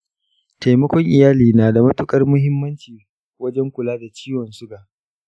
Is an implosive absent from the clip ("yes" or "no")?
yes